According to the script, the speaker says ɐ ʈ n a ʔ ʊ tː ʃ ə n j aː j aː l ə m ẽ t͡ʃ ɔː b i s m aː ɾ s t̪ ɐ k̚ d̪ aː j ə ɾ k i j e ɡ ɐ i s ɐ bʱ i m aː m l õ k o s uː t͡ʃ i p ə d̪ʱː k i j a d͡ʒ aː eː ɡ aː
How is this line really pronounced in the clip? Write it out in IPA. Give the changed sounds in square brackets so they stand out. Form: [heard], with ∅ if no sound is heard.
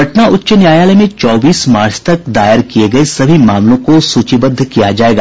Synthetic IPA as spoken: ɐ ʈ n a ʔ ʊ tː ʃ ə n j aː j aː l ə m ẽ t͡ʃ ɔː b [iː] s m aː ɾ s t̪ ɐ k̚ d̪ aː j ə ɾ k i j e ɡ ɐ [e] s ɐ bʱ i m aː m l õ k o s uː t͡ʃ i [b] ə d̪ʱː k i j a d͡ʒ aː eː ɡ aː